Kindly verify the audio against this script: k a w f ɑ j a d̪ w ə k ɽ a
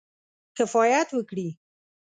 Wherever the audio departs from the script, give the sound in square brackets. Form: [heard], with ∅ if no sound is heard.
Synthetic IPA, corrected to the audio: k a [∅] f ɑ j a [t̪] w ə k ɽ [i]